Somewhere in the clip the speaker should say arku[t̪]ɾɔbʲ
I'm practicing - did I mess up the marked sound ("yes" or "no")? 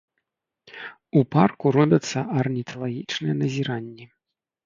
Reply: yes